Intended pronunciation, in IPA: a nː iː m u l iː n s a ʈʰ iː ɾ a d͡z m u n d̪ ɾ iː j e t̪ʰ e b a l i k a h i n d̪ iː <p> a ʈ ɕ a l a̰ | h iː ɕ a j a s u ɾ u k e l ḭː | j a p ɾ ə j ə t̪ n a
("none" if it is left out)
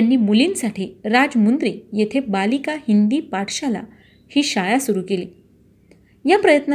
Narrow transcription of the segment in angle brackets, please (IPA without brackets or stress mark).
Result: p